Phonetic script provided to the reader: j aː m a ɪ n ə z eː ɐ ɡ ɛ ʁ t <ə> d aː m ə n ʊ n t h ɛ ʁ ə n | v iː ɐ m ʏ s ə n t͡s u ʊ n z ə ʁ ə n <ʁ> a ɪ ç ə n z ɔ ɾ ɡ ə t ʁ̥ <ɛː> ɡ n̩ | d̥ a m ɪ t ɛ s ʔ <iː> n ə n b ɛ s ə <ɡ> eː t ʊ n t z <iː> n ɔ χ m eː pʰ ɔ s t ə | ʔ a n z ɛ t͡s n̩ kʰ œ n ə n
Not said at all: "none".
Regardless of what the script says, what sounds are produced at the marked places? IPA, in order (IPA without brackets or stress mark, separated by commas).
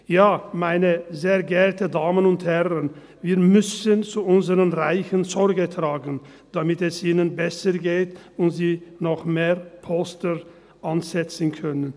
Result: ə, ʁ, aː, iː, ɡ, iː